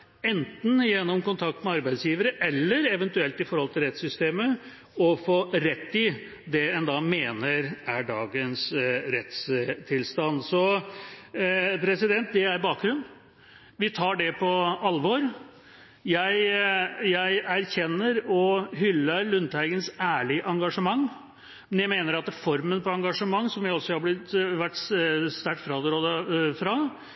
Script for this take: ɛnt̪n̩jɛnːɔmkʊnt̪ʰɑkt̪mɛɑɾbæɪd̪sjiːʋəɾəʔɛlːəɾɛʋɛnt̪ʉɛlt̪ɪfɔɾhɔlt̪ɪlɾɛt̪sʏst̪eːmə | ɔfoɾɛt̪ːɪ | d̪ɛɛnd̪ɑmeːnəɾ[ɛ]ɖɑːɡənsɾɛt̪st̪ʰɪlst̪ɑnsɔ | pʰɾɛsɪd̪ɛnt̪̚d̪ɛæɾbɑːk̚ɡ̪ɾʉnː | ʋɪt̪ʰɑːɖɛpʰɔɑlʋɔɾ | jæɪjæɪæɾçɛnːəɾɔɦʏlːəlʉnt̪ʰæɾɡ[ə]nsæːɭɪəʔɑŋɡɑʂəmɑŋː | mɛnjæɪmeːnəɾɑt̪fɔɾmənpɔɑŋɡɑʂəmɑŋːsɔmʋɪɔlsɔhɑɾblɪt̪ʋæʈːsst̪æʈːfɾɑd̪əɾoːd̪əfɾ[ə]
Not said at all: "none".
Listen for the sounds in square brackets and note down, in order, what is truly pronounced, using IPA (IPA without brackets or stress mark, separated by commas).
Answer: æ, ə, ɑ